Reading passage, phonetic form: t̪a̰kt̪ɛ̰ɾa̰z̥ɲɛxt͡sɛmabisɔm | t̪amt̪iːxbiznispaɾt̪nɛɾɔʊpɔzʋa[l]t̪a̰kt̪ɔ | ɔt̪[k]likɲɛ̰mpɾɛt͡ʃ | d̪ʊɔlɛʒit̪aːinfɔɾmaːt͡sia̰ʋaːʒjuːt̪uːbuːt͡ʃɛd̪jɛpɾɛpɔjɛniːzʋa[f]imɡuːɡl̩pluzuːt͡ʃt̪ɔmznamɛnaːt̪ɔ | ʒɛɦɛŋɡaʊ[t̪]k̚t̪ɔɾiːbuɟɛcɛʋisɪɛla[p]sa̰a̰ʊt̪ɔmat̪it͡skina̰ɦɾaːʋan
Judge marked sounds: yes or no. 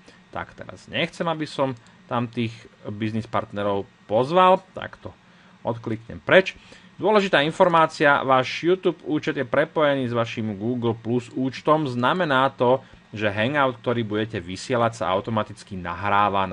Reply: yes, yes, no, yes, no

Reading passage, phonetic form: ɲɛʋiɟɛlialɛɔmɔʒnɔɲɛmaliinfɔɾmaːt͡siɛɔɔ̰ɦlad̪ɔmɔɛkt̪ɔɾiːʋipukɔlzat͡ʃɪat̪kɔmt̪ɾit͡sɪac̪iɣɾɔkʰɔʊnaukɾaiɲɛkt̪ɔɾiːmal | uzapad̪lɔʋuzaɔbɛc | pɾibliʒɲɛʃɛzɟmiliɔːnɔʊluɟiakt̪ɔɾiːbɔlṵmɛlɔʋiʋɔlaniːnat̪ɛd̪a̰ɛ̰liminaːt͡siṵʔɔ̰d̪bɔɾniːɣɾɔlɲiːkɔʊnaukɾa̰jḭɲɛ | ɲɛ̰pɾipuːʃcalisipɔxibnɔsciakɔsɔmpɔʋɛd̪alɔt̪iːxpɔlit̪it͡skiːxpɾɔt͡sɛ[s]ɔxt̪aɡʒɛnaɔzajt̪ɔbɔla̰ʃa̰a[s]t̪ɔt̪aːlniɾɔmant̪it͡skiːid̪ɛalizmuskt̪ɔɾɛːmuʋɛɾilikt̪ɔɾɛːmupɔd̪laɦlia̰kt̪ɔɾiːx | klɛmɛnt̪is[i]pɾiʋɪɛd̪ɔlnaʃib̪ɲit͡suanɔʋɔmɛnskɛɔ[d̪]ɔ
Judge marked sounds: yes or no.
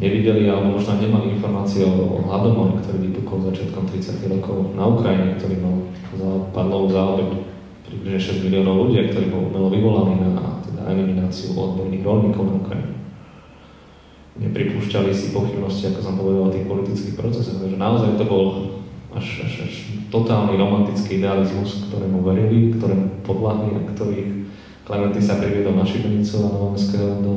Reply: yes, no, no, yes

